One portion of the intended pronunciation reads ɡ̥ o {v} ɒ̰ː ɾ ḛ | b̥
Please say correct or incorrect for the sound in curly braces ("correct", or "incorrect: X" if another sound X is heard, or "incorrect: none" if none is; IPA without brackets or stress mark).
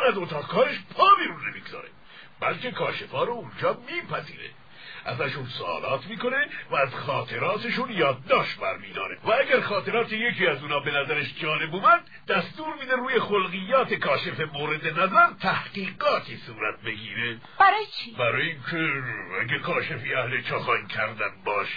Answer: incorrect: z